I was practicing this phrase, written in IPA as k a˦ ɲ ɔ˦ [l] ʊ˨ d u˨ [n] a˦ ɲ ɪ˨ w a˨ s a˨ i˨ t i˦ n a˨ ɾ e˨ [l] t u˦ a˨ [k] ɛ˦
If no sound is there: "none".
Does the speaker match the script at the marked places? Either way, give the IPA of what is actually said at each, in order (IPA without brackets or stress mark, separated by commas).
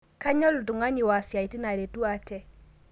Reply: l, ŋ, none, t